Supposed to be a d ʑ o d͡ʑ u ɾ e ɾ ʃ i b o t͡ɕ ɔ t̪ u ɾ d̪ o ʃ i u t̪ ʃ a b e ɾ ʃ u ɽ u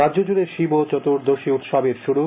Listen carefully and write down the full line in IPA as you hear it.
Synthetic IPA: a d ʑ o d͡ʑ u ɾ e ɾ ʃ i b o t͡ɕ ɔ t̪ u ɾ d̪ o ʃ i u t̪ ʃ a b e ɾ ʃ u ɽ u

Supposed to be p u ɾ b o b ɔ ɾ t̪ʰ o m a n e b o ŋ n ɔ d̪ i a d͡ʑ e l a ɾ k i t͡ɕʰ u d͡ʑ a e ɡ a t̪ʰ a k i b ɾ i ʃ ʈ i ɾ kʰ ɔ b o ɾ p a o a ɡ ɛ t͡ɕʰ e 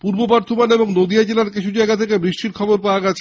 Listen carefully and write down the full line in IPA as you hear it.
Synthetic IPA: p u ɾ b o b ɔ ɾ t̪ʰ o m a n e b o ŋ n o d̪ i a d͡ʑ e l a ɾ k i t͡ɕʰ u d͡ʑ a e ɡ a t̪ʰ e k e b ɾ i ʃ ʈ i ɾ kʰ ɔ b o ɾ p a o a ɡ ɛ t͡ɕʰ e

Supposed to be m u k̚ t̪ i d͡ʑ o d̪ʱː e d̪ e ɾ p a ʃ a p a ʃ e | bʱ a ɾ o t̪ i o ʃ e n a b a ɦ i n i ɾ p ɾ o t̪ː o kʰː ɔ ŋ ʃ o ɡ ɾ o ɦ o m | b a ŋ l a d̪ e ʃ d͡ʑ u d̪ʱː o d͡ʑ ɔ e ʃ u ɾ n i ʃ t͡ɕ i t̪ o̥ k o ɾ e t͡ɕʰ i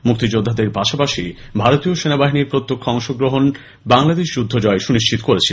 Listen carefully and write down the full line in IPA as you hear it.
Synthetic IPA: m u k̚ t̪ i d͡ʑ o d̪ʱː a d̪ e ɾ p a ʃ a p a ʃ i | bʱ a ɾ o t̪ i o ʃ e n a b a ɦ i n i ɾ p ɾ o t̪ː o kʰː ɔ ŋ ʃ o ɡ ɾ o ɦ o n | b a ŋ l a d̪ e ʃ d͡ʑ u d̪ʱː o d͡ʑ ɔ e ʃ u n i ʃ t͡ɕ i t̪ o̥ k o ɾ e t͡ɕʰ i

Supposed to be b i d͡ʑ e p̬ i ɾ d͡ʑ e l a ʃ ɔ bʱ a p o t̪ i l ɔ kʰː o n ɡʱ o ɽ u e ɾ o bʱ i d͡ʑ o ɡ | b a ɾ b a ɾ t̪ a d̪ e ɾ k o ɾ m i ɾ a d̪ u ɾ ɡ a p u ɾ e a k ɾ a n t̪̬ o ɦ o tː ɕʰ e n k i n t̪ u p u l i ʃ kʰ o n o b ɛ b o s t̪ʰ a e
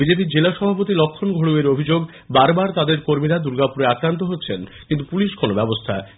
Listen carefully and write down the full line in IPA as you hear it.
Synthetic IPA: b i d͡ʑ e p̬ i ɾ d͡ʑ e l a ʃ ɔ bʱ a p o t̪ i l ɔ kʰː o n ɡʱ o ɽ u e ɾ o bʱ i d͡ʑ o ɡ | b a ɾ b a ɾ t̪ a d̪ e ɾ k o ɾ m i ɾ a d̪ u ɾ ɡ a p u ɾ e a k ɾ a n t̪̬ o ɦ o tː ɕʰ e n k i n t̪ u p u l i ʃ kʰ o n o b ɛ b o s t̪ʰ a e

